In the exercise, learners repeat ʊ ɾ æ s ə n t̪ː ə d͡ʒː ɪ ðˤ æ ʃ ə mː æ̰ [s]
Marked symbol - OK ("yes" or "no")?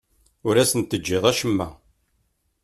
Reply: no